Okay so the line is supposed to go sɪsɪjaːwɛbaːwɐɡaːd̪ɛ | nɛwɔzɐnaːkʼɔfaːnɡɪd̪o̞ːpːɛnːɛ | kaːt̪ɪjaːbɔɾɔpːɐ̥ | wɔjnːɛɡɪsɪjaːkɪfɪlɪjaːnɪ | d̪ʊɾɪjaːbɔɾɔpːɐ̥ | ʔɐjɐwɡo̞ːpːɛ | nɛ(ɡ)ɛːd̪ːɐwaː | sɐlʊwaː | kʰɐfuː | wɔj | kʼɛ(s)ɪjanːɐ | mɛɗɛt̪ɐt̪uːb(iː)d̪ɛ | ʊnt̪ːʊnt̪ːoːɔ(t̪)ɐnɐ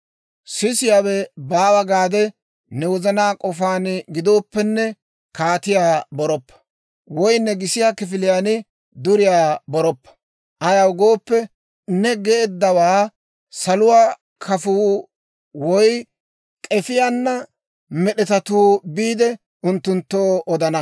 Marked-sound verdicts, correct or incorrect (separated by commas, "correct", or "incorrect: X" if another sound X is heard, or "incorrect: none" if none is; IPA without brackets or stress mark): correct, incorrect: f, correct, incorrect: d̪